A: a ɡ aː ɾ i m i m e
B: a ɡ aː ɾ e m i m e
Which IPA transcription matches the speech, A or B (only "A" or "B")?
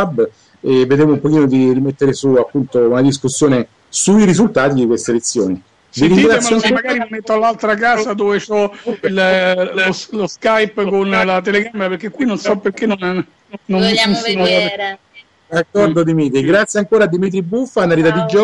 A